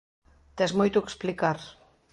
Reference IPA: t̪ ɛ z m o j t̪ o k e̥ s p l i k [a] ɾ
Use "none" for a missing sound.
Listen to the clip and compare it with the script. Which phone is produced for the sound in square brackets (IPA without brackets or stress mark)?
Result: a